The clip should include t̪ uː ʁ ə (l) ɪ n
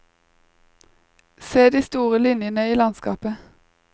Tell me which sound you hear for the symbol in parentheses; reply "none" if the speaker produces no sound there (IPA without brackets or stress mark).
l